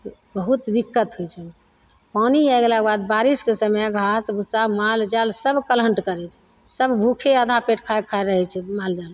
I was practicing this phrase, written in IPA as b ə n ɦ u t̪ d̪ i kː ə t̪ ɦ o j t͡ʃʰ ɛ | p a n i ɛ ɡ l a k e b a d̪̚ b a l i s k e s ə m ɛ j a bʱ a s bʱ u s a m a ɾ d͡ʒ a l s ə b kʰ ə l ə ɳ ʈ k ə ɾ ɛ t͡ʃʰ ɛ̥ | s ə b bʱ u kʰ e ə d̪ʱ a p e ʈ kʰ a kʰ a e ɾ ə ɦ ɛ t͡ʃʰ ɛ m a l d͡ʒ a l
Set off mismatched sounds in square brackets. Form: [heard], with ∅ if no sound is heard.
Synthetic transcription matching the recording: b ə [∅] ɦ u t̪ d̪ i kː ə t̪ ɦ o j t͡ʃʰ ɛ | p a n i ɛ ɡ l a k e b a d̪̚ b a [ɾ] i s k e s ə m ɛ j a [ɡʱ] a s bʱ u s a m a [l] d͡ʒ a l s ə b [k] ə l ə ɳ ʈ k ə ɾ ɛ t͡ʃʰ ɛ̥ | s ə b bʱ u kʰ e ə d̪ʱ a p e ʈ kʰ a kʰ a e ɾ ə ɦ ɛ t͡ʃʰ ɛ m a l d͡ʒ a l